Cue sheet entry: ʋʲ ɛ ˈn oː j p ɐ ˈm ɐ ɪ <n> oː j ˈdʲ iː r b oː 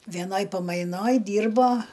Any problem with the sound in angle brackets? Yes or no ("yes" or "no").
no